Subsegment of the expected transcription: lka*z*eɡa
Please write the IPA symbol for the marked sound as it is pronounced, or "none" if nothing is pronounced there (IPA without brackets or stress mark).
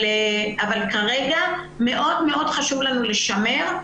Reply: ʁ